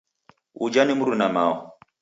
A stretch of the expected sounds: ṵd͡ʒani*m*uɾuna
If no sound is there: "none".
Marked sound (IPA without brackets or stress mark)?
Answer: m